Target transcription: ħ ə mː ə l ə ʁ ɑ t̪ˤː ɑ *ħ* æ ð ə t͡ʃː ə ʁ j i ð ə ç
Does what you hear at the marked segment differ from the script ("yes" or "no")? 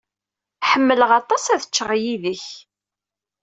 yes